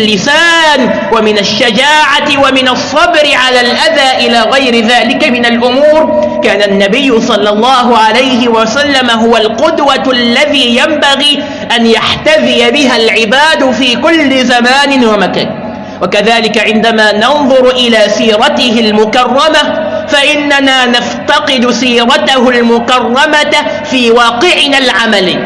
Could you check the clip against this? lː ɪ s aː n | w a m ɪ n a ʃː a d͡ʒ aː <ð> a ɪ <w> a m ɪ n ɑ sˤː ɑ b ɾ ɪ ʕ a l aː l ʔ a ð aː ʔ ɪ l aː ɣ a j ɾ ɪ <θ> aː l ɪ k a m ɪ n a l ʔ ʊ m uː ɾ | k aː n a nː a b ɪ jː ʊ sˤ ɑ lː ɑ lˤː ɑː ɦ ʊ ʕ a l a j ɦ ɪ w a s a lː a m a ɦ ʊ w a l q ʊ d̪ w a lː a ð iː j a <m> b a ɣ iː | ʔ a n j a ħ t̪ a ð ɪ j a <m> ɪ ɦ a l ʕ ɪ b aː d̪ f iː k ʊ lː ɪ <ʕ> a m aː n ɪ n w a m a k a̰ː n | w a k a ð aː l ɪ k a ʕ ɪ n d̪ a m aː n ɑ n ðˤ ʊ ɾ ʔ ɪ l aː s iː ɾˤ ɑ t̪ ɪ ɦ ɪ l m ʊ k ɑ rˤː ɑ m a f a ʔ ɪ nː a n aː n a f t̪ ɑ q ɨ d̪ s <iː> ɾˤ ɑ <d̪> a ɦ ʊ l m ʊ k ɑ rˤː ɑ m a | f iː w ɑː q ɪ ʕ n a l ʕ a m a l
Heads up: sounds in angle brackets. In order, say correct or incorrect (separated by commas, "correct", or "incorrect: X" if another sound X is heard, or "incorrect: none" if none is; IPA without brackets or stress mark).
incorrect: ʕ, correct, incorrect: ð, correct, incorrect: b, incorrect: z, correct, incorrect: t̪